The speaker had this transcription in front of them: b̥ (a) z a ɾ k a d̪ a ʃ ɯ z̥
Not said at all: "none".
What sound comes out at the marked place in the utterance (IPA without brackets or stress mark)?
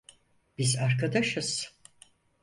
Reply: i